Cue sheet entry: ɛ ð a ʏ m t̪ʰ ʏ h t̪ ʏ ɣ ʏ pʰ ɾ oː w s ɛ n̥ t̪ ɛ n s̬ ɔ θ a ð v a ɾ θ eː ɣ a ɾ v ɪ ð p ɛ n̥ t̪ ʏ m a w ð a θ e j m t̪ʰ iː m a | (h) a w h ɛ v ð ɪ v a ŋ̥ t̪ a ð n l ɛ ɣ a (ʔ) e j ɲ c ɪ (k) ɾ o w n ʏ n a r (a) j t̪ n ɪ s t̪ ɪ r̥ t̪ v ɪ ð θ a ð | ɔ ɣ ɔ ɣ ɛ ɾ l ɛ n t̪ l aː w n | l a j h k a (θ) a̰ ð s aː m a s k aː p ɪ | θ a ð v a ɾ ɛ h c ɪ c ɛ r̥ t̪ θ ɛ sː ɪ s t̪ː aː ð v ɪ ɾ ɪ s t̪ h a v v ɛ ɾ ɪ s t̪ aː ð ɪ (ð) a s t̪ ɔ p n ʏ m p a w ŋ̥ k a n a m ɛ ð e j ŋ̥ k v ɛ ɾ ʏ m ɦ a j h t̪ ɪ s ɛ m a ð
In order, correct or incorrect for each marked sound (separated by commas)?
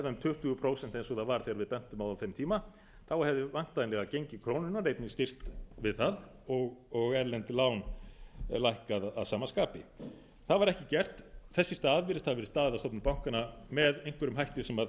incorrect, incorrect, incorrect, incorrect, incorrect, correct